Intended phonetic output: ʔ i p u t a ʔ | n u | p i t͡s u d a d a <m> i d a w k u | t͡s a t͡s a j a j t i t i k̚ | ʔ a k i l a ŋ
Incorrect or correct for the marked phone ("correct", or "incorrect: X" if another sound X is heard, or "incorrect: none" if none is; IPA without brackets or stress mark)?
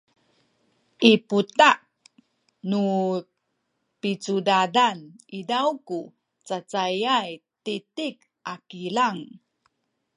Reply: incorrect: n